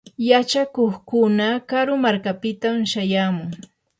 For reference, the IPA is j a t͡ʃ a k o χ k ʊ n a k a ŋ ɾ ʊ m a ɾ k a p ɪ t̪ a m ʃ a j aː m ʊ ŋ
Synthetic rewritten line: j a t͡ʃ a k o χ k ʊ n a k a ɾ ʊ m a ɾ k a p ɪ t̪ a m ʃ a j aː m ʊ ŋ